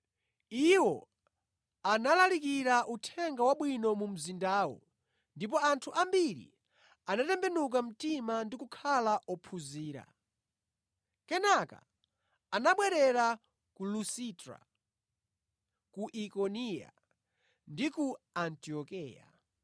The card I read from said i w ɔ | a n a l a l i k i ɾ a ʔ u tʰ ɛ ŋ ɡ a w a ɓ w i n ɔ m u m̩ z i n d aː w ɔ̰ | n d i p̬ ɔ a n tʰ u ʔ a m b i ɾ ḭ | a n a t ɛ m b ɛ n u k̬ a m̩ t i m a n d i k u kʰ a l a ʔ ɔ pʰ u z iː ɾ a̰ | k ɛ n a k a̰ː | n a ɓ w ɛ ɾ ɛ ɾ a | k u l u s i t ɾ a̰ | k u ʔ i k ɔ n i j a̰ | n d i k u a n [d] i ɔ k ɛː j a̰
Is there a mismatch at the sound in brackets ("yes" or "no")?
yes